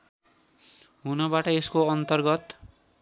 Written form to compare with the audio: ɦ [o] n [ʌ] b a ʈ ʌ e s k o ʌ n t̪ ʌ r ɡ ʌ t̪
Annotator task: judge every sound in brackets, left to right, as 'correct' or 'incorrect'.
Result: incorrect: u, correct

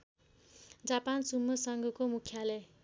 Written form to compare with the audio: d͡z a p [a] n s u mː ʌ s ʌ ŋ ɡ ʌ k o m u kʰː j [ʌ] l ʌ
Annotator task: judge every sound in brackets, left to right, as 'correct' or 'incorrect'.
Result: correct, incorrect: a

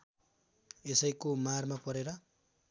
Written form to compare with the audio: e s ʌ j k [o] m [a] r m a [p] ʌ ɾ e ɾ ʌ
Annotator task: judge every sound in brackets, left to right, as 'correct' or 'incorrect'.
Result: correct, correct, correct

